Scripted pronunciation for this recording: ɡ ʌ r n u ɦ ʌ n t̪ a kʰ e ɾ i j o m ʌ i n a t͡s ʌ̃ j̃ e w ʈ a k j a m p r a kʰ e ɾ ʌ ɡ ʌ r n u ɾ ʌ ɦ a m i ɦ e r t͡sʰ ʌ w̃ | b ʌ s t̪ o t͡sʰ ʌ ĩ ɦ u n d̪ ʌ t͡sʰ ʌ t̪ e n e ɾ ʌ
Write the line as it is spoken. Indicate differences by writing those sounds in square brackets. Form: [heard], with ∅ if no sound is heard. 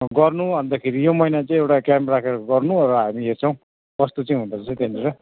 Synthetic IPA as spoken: ɡ ʌ r n u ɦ ʌ n [d̪] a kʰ e ɾ i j o m ʌ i n a t͡s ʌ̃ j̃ e w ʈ a k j a m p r a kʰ e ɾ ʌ ɡ ʌ r n u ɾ ʌ ɦ a m i ɦ e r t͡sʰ ʌ w̃ | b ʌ s t̪ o [t͡s] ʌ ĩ ɦ u n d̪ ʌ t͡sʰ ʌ t̪ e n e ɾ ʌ